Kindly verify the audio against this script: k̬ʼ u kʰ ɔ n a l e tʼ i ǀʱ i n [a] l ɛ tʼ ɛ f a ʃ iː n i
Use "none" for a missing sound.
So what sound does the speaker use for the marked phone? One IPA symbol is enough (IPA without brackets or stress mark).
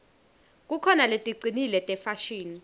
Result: i